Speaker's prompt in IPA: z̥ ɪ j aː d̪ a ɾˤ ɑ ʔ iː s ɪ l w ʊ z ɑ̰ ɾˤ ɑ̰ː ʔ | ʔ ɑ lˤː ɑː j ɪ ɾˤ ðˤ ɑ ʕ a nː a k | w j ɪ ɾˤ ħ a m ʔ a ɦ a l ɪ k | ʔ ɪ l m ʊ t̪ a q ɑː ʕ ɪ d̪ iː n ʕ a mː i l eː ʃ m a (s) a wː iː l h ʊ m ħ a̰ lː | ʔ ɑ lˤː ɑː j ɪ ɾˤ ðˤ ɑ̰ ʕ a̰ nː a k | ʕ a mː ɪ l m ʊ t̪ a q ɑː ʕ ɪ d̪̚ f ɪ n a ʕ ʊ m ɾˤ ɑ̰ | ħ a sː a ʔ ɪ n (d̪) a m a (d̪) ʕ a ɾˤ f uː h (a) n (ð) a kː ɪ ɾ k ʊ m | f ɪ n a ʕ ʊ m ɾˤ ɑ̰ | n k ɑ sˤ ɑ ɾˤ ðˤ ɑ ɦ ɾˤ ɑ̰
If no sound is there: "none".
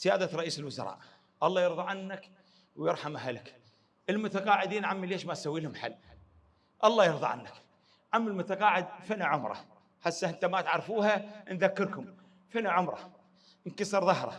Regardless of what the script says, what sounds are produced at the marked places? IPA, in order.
s, t̪, t̪, a, ð

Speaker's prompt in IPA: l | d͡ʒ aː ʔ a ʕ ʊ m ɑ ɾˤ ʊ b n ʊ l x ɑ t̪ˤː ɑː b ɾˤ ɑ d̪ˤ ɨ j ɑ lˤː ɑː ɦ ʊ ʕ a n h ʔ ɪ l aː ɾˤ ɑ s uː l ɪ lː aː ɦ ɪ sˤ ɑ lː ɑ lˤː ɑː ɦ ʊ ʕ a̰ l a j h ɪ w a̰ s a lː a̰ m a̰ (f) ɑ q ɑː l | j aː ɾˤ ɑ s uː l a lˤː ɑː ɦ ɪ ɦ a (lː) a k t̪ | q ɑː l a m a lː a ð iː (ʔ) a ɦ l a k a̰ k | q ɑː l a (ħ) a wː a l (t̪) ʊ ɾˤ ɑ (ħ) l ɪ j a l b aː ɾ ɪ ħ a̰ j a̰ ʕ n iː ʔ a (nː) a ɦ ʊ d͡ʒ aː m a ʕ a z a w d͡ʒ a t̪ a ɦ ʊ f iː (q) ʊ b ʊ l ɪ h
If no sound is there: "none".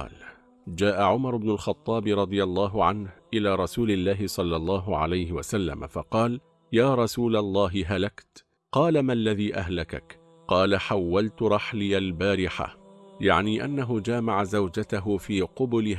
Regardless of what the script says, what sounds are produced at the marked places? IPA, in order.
f, l, ʔ, ħ, t̪, ħ, nː, q

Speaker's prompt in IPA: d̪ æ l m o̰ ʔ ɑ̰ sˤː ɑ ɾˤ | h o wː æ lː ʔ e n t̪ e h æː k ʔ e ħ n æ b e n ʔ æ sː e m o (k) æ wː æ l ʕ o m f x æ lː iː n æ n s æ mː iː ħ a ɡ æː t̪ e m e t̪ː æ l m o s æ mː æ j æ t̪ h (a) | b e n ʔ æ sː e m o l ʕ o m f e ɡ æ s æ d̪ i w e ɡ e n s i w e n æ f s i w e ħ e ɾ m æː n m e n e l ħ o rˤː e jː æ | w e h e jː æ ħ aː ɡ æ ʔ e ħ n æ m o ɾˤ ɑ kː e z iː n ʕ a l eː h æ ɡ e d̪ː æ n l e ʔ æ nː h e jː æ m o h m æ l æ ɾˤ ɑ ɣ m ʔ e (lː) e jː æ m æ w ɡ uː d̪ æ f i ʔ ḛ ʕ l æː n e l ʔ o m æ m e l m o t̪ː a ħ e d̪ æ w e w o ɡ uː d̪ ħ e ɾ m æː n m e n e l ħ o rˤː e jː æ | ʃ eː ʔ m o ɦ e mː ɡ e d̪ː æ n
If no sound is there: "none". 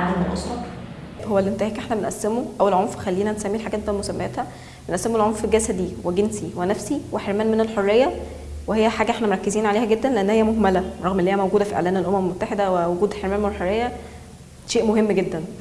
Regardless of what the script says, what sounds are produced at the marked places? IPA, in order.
ʔ, æ, lː

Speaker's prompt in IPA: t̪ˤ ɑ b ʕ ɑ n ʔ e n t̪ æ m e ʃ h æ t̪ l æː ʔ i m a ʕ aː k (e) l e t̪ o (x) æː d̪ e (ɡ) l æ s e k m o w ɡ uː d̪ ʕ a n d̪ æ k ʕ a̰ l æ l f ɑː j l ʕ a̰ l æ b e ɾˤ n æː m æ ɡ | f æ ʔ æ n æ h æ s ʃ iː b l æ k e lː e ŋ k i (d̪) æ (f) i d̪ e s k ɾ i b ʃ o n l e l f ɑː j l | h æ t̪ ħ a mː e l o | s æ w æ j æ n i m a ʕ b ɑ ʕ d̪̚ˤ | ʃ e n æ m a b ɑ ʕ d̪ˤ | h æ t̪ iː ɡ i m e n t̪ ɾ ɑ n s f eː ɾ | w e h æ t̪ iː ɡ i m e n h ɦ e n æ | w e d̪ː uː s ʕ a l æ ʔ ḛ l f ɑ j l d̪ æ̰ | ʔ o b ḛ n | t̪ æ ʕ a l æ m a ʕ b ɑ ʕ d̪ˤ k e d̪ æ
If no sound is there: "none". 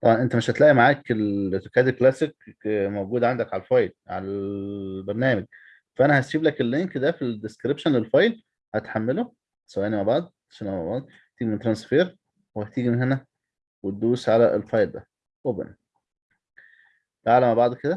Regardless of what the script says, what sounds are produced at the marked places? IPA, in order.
e, k, k, d̪, f

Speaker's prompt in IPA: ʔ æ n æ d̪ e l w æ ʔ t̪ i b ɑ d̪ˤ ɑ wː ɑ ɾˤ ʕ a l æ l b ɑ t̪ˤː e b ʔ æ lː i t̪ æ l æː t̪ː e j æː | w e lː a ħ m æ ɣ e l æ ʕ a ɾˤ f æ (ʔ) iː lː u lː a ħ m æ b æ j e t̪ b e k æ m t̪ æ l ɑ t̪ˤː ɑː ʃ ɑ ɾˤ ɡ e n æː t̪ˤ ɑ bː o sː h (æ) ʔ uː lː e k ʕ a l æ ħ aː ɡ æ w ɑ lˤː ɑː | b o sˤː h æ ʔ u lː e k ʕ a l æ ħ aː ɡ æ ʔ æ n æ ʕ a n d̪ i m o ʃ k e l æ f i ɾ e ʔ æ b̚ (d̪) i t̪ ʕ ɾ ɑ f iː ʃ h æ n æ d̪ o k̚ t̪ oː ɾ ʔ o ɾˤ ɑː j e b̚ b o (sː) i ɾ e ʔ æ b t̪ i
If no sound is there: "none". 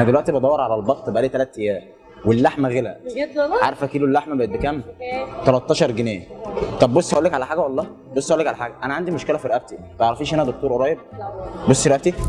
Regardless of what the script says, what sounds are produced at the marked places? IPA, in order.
k, æ, t̪, sː

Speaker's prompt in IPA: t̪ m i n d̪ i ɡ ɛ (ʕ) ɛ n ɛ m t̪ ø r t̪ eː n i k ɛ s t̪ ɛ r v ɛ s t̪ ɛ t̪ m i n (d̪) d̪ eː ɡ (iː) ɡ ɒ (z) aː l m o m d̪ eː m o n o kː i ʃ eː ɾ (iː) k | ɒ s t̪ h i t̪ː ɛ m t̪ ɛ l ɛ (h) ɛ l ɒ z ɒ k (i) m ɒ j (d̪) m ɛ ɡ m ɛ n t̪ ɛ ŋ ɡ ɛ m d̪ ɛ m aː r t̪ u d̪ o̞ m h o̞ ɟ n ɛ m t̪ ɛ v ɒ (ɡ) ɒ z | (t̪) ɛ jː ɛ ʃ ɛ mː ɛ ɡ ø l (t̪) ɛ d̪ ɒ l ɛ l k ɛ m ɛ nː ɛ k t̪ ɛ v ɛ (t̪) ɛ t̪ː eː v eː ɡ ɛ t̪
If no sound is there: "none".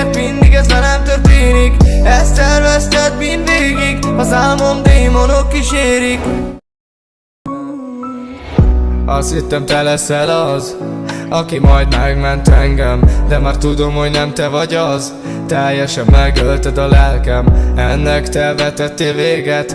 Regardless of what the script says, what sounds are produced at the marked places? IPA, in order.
z, d̪, i, z, i, s, i, d̪, ɟ, t̪, t̪, t̪

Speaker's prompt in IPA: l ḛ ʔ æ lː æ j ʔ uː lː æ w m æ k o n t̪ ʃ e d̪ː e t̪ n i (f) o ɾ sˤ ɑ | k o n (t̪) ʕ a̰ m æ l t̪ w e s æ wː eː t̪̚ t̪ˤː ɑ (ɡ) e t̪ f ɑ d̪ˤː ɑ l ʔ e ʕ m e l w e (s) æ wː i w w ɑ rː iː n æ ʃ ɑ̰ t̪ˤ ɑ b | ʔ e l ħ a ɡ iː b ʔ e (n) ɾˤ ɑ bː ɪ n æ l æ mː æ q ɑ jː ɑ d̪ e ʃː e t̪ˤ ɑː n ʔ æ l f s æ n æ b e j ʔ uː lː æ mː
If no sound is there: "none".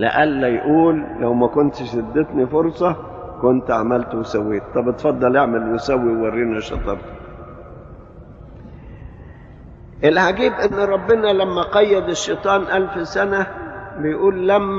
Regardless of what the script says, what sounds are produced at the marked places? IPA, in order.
f, t̪, b, s, nː

